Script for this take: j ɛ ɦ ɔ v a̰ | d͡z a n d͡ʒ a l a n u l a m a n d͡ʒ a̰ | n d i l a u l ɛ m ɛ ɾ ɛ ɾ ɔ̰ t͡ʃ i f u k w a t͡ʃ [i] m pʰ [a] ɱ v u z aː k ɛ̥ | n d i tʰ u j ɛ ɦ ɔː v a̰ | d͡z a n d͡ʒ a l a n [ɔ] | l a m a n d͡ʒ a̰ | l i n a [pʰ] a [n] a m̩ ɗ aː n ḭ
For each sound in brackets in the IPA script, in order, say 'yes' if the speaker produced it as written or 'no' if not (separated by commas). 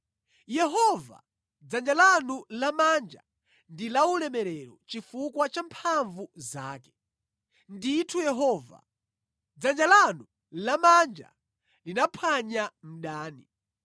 no, yes, no, yes, no